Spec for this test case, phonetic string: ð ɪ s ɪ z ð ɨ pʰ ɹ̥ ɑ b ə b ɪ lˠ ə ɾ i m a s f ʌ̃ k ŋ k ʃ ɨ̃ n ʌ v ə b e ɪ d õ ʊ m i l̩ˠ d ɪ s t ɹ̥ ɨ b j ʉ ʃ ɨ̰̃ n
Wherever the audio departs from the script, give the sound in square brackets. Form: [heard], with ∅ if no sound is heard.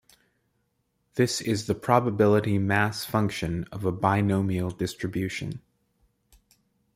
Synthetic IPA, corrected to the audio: ð ɪ s ɪ z ð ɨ pʰ ɹ̥ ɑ b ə b ɪ lˠ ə ɾ i m [æ] s f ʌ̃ [∅] ŋ k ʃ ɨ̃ n ʌ v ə b [a] ɪ [n] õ ʊ m i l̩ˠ d ɪ s t ɹ̥ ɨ b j ʉ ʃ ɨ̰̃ n